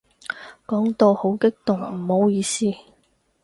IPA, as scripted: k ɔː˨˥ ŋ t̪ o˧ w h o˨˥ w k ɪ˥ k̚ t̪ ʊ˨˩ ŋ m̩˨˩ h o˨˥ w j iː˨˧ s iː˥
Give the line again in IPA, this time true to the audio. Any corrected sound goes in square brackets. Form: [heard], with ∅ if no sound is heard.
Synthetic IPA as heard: k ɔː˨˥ ŋ t̪ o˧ w h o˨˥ w k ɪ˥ k̚ t̪ ʊ˨˩ ŋ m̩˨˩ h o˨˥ w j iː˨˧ s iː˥